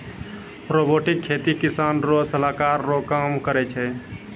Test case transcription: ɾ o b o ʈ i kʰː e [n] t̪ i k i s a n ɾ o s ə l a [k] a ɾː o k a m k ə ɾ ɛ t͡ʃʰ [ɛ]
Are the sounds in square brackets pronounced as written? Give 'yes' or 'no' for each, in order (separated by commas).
no, yes, yes